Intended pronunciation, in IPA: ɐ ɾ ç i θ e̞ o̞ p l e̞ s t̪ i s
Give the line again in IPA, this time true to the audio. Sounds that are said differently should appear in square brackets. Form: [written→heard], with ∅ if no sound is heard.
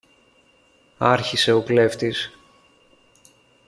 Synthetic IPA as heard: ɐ ɾ ç i [θ→s] e̞ o̞ p l e̞ [s→f] t̪ i s

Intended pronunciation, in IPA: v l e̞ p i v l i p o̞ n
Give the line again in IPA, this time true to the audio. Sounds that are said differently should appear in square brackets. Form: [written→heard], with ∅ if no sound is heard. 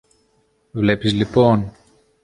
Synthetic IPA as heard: v l e̞ p i [v→z] l i p o̞ n

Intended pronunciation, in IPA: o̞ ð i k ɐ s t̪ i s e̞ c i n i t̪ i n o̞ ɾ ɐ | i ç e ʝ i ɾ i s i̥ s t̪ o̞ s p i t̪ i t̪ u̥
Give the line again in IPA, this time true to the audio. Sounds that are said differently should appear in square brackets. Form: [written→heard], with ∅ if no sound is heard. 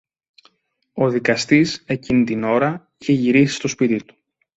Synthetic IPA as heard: o̞ ð i k ɐ s t̪ i s e̞ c i n i t̪ i n o̞ ɾ ɐ | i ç e ʝ i ɾ i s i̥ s t̪ o̞ s p i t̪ i t̪ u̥

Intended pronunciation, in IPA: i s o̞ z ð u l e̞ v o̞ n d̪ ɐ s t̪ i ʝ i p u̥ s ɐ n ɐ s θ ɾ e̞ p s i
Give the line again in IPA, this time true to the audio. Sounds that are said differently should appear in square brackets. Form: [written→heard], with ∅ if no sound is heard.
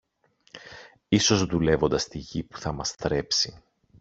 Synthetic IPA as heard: i s o̞ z ð u l e̞ v o̞ n d̪ ɐ s t̪ i ʝ i p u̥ [s→θ] ɐ [n→m] ɐ s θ ɾ e̞ p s i

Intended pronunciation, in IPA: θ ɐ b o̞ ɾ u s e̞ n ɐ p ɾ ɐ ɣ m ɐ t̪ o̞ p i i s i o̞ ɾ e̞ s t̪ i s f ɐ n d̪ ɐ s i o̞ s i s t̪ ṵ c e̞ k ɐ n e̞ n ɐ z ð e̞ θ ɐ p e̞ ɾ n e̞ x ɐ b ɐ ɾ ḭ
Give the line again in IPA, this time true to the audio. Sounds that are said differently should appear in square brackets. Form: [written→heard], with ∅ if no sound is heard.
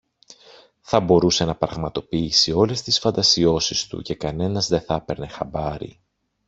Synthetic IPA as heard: θ ɐ b o̞ ɾ u s e̞ n ɐ p ɾ ɐ ɣ m ɐ t̪ o̞ p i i s i o̞ [ɾ→l] e̞ s t̪ i s f ɐ n d̪ ɐ s i o̞ s i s t̪ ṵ c e̞ k ɐ n e̞ n ɐ z ð e̞ θ ɐ p e̞ ɾ n e̞ x ɐ b ɐ ɾ ḭ

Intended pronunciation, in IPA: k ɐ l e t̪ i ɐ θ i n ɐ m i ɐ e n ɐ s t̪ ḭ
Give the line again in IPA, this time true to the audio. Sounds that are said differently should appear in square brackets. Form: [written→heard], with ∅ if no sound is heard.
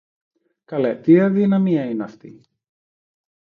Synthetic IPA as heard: k ɐ l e t̪ i ɐ [θ→ð] i n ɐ m i ɐ [e→i] n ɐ [s→f] t̪ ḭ

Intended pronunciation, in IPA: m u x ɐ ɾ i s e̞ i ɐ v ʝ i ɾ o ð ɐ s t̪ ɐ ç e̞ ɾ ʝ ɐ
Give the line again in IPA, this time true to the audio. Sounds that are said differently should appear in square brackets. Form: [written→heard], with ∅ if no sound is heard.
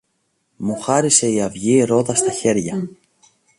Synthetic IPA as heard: m u x ɐ ɾ i s e̞ i ɐ v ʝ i ɾ o ð ɐ s t̪ ɐ ç e̞ ɾ ʝ ɐ

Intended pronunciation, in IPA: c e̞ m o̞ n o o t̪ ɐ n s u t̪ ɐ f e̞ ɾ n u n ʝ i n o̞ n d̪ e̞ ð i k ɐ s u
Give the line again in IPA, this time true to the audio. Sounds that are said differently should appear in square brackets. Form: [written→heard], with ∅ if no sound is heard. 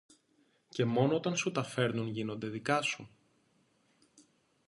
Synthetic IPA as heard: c e̞ m o̞ n o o t̪ ɐ n s u t̪ ɐ f e̞ ɾ n u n ʝ i n o̞ n d̪ e̞ ð i k ɐ s u

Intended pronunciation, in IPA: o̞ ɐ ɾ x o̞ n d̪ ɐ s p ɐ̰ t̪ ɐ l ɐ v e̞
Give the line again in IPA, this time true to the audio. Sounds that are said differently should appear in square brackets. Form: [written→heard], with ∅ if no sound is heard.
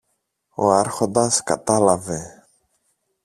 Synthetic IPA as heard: o̞ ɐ ɾ x o̞ n d̪ ɐ s [p→k] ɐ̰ t̪ ɐ l ɐ v e̞

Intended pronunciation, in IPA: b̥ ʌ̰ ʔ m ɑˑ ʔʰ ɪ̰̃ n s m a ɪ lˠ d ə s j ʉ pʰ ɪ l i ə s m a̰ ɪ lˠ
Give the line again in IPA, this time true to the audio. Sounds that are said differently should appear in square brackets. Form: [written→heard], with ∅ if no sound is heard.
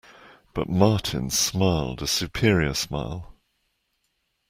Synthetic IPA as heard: b̥ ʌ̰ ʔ m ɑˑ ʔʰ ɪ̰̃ n s m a ɪ lˠ d ə s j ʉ pʰ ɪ [l→ɹ] i ə s m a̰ ɪ lˠ

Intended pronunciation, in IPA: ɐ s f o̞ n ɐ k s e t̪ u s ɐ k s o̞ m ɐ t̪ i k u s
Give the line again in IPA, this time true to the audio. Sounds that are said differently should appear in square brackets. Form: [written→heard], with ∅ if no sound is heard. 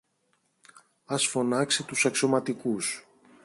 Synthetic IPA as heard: ɐ s f o̞ n ɐ k s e t̪ u s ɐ k s o̞ m ɐ t̪ i k u s

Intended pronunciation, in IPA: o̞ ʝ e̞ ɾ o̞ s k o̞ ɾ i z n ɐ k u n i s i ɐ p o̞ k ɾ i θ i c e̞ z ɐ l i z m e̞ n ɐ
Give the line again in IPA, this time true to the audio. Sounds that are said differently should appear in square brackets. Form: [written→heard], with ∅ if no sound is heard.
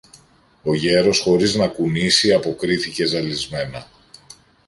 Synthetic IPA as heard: o̞ ʝ e̞ ɾ o̞ s [k→x] o̞ ɾ i z n ɐ k u n i s i ɐ p o̞ k ɾ i θ i c e̞ z ɐ l i z m e̞ n ɐ

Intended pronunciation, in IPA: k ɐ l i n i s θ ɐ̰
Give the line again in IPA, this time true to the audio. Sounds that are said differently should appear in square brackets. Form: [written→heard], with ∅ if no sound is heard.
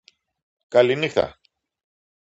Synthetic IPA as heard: k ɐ l i n i [s→x] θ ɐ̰

